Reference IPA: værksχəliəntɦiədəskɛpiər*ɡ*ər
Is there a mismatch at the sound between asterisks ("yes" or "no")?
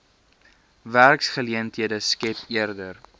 yes